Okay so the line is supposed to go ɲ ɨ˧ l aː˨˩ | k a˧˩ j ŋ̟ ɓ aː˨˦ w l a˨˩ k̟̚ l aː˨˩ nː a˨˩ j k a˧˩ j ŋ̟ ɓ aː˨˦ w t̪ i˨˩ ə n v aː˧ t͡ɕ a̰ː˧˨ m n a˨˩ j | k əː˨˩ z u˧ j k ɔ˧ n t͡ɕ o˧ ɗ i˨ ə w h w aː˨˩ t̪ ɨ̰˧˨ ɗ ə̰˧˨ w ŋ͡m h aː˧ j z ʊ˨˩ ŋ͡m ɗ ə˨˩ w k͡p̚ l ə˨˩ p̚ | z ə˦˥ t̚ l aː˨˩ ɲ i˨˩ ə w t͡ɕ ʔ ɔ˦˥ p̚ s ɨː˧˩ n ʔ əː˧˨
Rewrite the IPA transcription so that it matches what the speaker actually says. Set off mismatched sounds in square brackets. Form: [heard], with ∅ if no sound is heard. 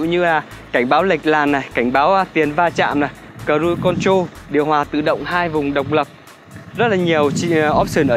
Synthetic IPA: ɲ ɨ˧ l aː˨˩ | k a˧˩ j ŋ̟ ɓ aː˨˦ w l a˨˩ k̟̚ l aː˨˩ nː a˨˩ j k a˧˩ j ŋ̟ ɓ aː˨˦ w t̪ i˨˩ ə n v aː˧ t͡ɕ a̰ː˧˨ m n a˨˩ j | k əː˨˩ z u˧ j k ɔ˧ n t͡ɕ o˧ ɗ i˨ ə w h w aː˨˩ t̪ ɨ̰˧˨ ɗ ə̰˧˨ w ŋ͡m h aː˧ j [v] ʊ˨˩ ŋ͡m ɗ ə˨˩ w k͡p̚ l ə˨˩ p̚ | z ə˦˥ t̚ l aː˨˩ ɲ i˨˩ ə w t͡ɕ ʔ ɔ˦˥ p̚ s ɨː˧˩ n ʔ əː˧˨